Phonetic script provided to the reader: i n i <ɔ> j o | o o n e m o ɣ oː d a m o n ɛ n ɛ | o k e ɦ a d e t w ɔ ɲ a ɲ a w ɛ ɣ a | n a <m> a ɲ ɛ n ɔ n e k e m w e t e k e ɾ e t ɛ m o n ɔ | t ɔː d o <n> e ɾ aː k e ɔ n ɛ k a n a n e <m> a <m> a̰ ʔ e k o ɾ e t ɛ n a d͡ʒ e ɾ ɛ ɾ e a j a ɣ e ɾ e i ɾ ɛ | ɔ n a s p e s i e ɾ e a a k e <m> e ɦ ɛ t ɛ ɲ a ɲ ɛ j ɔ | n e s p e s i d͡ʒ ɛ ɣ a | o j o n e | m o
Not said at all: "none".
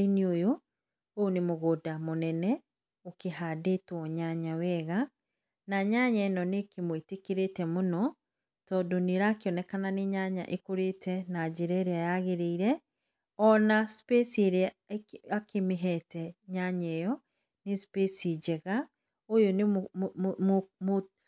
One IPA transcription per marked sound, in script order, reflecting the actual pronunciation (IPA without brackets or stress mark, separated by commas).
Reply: o, ɲ, n, ɲ, ɲ, m